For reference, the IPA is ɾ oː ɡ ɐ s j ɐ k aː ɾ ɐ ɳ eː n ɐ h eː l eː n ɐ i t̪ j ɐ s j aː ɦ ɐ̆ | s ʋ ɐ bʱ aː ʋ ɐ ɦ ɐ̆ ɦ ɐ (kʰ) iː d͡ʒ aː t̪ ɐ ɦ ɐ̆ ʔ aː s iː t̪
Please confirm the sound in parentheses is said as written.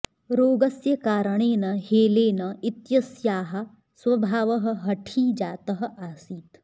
no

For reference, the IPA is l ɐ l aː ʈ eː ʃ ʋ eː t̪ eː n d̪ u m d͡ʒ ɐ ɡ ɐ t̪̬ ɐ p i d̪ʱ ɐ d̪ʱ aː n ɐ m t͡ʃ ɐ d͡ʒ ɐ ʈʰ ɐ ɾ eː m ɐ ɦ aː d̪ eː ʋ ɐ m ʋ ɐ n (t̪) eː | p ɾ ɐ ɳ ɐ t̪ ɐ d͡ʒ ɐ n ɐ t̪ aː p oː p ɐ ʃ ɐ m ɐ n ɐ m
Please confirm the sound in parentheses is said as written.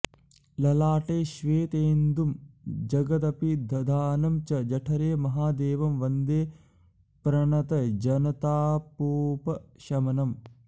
no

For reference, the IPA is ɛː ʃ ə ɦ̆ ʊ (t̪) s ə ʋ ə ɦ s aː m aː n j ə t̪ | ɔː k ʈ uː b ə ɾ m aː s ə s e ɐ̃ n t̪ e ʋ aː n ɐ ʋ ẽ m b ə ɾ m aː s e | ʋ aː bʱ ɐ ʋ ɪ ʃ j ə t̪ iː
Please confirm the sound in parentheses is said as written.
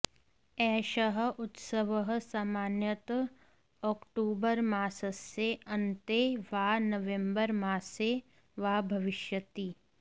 yes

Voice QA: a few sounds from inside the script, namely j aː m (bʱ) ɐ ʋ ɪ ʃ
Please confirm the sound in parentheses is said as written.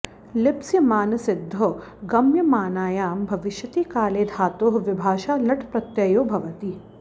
yes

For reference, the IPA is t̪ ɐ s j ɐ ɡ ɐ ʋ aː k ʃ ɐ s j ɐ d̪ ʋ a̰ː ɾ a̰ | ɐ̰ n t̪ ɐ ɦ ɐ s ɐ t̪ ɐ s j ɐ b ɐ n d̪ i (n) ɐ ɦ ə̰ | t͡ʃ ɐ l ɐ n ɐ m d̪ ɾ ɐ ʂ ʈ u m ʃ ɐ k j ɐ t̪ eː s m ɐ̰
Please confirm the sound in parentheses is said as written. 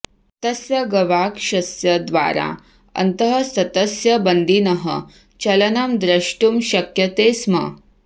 yes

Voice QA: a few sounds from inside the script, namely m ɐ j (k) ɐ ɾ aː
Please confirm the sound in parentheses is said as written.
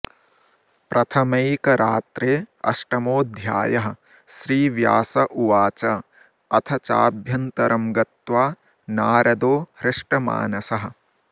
yes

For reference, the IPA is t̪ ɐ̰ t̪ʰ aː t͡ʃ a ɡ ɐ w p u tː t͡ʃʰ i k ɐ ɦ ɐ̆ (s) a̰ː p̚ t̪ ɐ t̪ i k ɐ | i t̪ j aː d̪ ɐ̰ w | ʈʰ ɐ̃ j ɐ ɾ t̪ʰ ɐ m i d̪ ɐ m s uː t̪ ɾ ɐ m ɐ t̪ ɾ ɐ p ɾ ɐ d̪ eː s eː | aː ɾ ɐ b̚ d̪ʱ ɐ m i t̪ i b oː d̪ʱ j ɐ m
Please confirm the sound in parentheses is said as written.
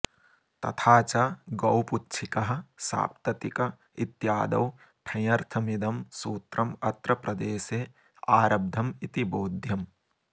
yes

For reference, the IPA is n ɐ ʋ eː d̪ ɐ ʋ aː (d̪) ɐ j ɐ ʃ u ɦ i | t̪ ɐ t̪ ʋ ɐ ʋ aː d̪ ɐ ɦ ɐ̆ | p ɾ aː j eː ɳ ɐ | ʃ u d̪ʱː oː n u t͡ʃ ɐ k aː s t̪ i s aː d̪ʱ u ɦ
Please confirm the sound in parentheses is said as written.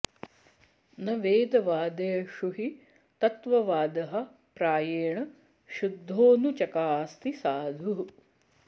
yes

